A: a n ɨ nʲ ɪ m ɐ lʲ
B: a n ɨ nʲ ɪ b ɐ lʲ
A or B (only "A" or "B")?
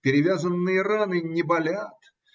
B